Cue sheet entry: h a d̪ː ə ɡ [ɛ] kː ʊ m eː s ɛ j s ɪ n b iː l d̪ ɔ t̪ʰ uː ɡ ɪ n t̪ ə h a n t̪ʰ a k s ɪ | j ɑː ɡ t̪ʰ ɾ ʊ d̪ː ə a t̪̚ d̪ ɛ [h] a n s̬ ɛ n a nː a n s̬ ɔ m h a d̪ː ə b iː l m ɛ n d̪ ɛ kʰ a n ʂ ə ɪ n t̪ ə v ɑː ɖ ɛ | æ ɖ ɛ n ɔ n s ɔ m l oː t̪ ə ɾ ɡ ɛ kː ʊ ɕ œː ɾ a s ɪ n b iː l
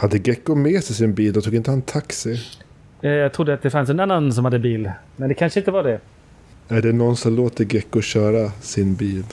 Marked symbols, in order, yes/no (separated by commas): yes, no